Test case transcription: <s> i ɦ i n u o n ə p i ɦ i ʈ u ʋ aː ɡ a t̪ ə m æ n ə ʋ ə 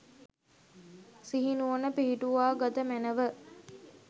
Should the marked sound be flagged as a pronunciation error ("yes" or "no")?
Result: no